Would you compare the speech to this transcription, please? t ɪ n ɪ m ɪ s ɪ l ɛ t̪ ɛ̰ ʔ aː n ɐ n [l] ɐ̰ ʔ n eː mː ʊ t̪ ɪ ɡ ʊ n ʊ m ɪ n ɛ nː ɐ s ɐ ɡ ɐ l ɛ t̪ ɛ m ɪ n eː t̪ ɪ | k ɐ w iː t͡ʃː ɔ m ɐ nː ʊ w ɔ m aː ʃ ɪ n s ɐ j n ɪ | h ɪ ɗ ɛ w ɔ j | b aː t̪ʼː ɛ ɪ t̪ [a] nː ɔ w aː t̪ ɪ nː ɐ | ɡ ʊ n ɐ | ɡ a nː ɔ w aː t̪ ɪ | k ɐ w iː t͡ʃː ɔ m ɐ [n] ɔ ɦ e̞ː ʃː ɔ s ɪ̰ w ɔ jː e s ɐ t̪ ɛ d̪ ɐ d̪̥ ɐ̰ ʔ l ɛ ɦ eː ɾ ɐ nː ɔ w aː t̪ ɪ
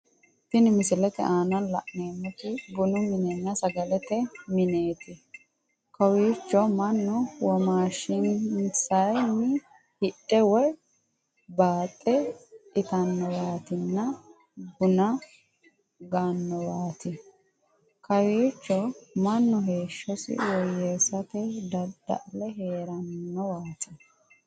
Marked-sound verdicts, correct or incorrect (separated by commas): correct, incorrect, incorrect